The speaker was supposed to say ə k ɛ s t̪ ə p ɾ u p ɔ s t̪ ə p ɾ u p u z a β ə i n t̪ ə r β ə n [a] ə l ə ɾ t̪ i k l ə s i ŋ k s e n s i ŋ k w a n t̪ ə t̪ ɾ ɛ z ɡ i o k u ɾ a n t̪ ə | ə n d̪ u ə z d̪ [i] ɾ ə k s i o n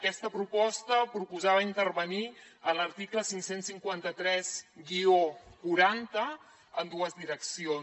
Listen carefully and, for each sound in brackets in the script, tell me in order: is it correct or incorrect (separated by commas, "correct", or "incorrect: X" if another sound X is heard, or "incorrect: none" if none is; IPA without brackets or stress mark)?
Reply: incorrect: i, correct